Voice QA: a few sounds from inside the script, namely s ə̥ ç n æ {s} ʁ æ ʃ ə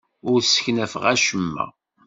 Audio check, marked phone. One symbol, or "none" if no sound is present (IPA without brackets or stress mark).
f